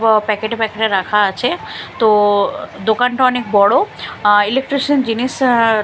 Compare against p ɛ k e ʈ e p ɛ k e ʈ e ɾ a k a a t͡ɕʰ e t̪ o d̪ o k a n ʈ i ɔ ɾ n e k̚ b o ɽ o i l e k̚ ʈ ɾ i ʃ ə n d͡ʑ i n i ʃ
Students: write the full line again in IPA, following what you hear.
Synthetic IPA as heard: p ɛ k e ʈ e p ɛ k e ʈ e ɾ a kʰ a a t͡ɕʰ e t̪ o d̪ o k a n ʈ a ɔ n e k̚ b ɔ ɽ o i l e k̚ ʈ ɾ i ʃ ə n d͡ʑ i n i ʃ